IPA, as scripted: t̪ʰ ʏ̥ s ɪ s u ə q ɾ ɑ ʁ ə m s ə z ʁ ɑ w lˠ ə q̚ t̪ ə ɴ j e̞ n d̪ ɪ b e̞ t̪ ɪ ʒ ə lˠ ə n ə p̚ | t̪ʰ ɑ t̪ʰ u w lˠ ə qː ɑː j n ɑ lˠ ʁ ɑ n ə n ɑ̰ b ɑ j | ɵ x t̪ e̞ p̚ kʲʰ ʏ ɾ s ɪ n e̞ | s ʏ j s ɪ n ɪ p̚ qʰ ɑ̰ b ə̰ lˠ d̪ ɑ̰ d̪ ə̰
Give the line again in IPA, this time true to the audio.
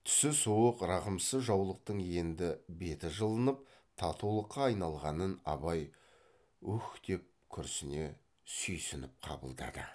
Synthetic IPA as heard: t̪ʰ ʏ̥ s ɪ s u ə q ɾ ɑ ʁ ə m s ə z ʒ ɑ w lˠ ə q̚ t̪ ə ɴ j e̞ n d̪ ɪ b e̞ t̪ ɪ ʒ ə lˠ ə n ə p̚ | t̪ʰ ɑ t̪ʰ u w lˠ ə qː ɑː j n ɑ lˠ ʁ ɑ n ə n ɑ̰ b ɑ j | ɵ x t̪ e̞ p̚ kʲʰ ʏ ɾ s ɪ n e̞ | s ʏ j s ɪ n ɪ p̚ qʰ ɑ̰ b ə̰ lˠ d̪ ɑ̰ d̪ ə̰